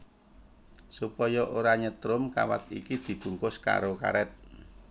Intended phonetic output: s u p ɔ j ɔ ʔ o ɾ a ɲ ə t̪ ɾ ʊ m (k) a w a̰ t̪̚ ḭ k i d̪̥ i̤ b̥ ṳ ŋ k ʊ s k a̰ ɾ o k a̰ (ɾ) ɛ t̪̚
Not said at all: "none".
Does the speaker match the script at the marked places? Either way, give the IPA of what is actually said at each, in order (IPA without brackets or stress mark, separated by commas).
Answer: k, ɾ